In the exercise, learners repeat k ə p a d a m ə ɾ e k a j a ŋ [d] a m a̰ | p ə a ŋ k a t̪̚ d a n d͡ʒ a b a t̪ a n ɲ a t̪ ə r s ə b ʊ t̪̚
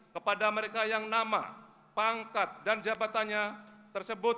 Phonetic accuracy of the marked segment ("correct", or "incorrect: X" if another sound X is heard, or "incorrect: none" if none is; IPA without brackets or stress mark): incorrect: n